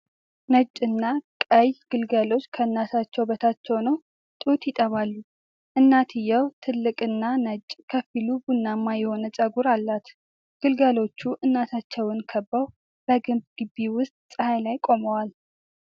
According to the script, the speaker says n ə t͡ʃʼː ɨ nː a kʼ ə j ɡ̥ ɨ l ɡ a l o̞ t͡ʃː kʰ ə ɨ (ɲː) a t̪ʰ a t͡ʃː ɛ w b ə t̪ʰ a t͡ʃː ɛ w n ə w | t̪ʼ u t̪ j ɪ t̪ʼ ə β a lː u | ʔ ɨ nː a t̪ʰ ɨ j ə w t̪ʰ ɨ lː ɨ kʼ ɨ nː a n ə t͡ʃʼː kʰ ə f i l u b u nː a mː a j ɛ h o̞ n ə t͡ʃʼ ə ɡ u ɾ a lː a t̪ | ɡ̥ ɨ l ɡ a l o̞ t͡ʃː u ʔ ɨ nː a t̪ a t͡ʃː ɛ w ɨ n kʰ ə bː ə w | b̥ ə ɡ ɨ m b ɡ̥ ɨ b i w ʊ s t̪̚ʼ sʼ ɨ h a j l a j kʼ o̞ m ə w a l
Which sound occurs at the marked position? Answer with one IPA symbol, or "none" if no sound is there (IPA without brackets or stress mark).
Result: nː